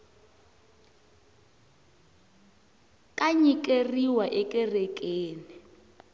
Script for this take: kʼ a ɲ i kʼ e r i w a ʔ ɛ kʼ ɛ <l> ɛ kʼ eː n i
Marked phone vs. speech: incorrect: r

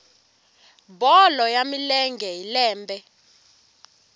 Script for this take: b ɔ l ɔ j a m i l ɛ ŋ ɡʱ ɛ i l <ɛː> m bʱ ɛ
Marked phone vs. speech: correct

